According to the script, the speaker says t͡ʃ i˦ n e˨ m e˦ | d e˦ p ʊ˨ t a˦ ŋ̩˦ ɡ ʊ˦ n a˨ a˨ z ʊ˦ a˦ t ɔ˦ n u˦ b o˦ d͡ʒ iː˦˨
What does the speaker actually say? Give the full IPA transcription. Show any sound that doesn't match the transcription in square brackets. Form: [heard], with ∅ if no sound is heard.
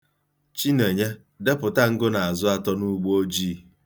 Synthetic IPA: t͡ʃ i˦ n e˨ [ɲ] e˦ | d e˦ p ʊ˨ t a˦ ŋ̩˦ ɡ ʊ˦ n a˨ a˨ z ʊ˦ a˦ t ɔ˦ n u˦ [ɡ͡b] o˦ d͡ʒ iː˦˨